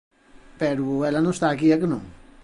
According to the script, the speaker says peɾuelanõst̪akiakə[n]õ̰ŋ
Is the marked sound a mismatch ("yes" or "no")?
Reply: no